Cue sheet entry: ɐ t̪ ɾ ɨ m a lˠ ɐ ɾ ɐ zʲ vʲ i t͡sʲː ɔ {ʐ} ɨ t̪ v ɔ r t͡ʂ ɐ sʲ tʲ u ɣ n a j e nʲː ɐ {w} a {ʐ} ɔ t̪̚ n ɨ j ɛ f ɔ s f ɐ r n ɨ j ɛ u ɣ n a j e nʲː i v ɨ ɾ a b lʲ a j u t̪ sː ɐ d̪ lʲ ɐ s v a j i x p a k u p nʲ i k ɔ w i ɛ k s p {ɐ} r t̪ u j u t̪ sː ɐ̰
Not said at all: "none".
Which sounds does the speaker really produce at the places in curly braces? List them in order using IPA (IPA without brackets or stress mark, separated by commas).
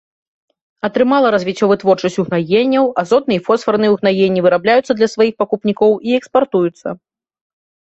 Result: v, w, z, a